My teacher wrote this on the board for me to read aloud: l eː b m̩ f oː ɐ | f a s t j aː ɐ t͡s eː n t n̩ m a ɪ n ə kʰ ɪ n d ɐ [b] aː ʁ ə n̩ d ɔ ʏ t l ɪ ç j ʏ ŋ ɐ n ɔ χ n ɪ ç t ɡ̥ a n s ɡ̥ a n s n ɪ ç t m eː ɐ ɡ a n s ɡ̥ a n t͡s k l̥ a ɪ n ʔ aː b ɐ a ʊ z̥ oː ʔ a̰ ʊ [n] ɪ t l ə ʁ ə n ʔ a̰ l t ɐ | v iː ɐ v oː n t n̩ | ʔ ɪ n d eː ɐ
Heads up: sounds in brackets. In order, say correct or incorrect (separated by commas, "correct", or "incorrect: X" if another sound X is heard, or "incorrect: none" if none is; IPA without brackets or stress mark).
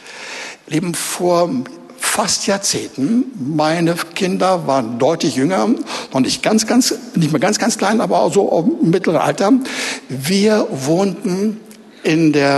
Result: incorrect: v, incorrect: m